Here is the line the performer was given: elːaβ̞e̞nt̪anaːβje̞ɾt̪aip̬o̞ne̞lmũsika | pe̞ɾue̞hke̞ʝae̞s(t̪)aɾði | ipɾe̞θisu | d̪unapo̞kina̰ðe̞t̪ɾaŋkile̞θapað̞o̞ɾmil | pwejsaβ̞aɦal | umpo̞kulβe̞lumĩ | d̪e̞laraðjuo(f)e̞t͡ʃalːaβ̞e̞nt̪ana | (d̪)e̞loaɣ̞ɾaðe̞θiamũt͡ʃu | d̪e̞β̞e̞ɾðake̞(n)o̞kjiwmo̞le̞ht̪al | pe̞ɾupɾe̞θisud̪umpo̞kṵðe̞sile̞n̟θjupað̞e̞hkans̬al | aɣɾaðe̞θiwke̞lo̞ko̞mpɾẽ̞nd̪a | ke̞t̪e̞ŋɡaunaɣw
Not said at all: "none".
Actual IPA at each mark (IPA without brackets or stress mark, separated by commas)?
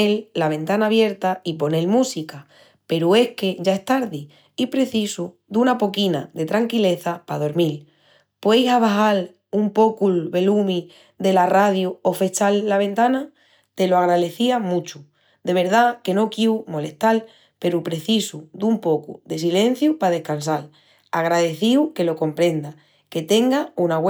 t̪, f, t̪, n